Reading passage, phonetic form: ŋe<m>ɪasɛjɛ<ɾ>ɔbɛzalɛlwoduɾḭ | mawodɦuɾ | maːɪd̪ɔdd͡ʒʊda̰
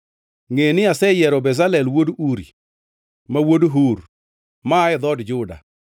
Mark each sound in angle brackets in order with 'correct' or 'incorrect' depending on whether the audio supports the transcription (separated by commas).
incorrect, correct